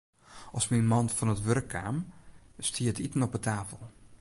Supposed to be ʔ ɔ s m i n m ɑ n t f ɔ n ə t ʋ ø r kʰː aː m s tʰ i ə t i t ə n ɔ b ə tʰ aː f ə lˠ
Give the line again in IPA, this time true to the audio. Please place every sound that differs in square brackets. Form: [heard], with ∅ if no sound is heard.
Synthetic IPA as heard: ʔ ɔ s m i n m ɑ n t f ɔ n ə t ʋ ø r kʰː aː m s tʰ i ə t i t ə n ɔ [p] ə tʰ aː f ə lˠ